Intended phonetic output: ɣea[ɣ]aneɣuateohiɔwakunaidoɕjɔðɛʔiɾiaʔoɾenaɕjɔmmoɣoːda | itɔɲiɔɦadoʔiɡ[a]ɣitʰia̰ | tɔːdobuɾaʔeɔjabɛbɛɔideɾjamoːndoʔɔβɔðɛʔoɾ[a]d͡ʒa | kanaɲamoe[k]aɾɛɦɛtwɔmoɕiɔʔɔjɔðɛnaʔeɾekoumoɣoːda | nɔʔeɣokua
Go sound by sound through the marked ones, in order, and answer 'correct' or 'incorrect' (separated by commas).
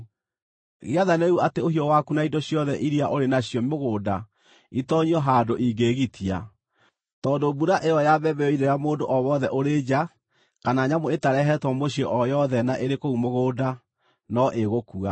incorrect, incorrect, incorrect, incorrect